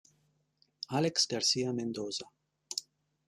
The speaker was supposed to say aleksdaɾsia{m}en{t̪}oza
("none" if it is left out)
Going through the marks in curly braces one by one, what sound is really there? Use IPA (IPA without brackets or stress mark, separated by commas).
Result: m, d̪